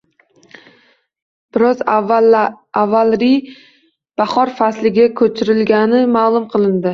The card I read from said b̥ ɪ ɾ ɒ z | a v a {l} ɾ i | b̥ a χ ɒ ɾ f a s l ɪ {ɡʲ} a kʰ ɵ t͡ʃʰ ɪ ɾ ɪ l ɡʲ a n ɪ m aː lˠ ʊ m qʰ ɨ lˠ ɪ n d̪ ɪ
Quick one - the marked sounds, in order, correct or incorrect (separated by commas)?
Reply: correct, correct